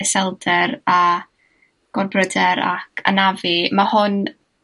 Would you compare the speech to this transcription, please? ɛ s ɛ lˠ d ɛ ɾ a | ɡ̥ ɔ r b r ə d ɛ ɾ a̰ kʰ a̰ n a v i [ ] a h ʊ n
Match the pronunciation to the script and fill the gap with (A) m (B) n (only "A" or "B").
A